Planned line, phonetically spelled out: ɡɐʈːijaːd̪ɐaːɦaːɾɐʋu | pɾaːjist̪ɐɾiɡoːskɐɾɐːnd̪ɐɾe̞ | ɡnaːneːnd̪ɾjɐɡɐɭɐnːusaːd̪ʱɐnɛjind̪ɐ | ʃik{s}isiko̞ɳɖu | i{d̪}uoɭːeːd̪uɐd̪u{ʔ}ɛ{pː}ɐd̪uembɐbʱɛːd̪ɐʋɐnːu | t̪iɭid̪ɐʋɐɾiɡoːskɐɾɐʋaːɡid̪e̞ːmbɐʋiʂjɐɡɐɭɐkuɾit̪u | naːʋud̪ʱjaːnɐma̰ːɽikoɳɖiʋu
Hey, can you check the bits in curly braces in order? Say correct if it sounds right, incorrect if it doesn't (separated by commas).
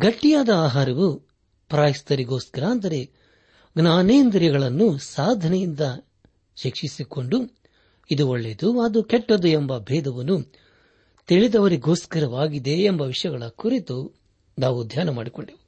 incorrect, correct, incorrect, incorrect